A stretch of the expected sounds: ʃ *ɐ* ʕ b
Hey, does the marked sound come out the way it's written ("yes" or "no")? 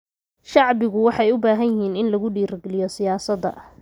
no